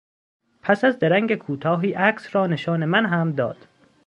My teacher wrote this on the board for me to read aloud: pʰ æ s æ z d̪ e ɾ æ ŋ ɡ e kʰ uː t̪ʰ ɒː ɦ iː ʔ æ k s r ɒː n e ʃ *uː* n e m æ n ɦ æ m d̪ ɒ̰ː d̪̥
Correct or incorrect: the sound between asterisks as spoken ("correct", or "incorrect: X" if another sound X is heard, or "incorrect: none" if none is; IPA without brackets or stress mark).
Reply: incorrect: ɒː